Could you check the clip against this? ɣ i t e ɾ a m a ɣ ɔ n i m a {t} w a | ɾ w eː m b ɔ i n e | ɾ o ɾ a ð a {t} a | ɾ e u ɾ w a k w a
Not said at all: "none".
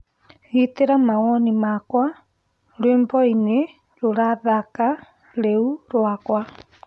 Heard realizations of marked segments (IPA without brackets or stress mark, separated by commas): k, k